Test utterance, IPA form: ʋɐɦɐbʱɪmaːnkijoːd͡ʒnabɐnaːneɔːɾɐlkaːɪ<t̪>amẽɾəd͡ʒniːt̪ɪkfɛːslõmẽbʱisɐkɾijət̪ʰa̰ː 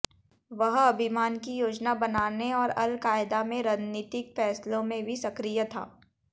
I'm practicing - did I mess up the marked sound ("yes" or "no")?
yes